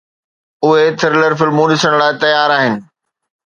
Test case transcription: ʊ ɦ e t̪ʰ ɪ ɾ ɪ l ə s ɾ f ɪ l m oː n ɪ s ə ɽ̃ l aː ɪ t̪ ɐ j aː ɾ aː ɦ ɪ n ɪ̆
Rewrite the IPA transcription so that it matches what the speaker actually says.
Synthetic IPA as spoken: ʊ ɦ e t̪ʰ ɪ ɾ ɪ l ə ɾ f ɪ l m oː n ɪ s ə ɽ̃ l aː ɪ t̪ ɐ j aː ɾ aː ɦ ɪ n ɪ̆